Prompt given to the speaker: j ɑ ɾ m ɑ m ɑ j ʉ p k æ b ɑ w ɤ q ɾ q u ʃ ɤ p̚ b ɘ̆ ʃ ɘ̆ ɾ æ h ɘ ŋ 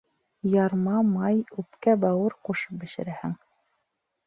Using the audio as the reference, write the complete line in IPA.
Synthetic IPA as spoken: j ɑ ɾ m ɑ m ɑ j ʉ p k æ b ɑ w ɤ ɾ q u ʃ ɤ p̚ b ɘ̆ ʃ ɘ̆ ɾ æ h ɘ ŋ